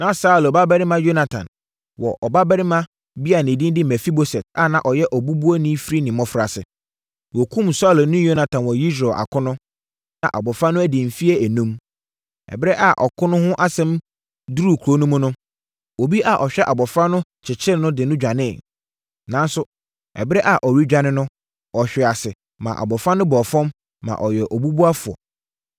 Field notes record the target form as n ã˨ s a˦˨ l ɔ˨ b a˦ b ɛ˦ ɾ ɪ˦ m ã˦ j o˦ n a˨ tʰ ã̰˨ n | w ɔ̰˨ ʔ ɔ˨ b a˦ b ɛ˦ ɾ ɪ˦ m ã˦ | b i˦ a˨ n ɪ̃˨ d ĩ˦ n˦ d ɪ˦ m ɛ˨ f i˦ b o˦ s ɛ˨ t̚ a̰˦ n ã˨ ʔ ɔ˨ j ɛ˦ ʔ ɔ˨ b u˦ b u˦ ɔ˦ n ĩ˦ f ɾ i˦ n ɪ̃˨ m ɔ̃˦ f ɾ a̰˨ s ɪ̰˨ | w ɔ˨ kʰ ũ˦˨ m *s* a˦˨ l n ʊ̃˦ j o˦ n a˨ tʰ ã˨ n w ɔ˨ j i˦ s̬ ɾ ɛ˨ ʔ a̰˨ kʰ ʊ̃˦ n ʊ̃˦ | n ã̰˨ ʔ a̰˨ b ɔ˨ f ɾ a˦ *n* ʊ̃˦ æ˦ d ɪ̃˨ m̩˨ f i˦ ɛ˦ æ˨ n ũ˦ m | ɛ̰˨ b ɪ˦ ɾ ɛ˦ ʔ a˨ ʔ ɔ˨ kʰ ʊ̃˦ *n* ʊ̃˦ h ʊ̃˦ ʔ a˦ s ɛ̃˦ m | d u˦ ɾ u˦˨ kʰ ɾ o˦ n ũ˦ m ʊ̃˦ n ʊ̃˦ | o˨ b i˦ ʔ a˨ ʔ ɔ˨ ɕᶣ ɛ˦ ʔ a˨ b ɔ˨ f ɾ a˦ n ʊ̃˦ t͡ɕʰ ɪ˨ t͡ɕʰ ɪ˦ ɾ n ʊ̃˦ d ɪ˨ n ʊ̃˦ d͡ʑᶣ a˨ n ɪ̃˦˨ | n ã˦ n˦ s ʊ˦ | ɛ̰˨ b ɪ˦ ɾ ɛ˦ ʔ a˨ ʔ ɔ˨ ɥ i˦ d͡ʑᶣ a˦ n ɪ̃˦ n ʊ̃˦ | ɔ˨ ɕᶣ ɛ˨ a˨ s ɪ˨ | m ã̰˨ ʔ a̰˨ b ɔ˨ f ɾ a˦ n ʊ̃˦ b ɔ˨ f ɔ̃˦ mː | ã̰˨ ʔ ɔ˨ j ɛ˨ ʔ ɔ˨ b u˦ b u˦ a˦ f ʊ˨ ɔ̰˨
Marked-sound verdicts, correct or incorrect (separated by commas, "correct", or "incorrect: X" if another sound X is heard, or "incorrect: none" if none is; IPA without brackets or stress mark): correct, correct, correct